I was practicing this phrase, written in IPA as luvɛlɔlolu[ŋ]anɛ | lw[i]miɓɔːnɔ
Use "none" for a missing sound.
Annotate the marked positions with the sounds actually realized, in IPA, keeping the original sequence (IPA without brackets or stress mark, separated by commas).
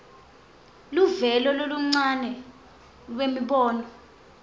ŋ͡ǀ, e